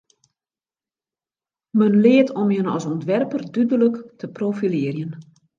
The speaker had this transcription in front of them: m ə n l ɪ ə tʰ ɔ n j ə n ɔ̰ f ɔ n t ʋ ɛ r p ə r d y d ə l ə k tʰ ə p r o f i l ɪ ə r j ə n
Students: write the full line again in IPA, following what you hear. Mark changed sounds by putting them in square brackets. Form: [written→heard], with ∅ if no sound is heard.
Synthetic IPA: m ə n l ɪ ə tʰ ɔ [n→m] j ə n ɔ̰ [f→s] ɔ n t ʋ ɛ r p ə r d y d ə l ə k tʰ ə p r o f i l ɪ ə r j ə n